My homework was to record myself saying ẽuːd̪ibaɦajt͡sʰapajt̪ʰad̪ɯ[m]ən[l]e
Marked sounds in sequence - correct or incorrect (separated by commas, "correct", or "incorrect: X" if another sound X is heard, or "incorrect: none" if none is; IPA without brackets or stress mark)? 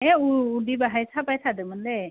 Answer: correct, correct